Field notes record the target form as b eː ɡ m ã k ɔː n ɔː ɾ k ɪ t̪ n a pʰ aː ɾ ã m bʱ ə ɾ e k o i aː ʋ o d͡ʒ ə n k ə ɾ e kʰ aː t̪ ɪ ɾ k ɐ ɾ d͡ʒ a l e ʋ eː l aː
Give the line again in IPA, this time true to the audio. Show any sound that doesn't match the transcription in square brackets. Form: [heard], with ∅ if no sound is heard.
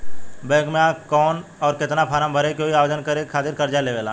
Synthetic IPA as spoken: b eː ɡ m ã k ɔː n ɔː ɾ k ɪ t̪ n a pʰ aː ɾ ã m bʱ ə ɾ e k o i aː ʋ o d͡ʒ ə n k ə ɾ e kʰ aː t̪ ɪ ɾ k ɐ ɾ d͡ʒ a l e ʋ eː l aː